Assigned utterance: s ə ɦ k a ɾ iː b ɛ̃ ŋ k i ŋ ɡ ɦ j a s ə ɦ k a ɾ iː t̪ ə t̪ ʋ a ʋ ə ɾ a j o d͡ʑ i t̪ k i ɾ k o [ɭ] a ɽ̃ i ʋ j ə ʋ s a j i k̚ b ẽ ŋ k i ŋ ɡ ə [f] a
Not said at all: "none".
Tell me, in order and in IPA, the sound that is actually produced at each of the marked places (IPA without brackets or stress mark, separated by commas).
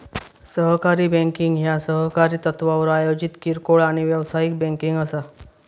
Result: ɭ, s